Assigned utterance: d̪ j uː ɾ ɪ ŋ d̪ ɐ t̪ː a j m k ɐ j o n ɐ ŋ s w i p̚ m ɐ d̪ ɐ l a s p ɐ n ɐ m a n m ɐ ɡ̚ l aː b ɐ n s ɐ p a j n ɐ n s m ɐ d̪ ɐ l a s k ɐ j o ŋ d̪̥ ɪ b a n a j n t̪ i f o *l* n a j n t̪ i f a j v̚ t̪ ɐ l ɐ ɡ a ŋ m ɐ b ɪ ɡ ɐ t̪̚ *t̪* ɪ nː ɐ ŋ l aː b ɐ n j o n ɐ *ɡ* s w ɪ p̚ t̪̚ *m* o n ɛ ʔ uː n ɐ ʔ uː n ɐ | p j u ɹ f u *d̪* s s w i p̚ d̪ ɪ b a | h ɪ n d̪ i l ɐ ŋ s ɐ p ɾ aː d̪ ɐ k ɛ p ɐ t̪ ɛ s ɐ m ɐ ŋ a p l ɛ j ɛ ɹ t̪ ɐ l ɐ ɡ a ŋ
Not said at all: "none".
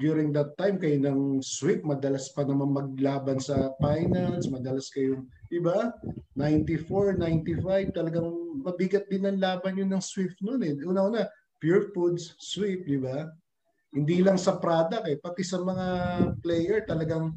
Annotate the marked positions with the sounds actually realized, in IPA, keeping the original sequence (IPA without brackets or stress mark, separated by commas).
ɹ, d̪, ŋ, n, d̪